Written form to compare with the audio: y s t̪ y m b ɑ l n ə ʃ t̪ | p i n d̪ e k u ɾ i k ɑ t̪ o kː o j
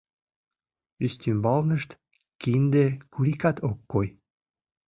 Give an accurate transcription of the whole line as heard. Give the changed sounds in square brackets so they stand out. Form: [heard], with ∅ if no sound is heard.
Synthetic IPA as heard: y s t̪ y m b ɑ l n ə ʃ t̪ | [k] i n d̪ e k u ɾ i k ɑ t̪ o kː o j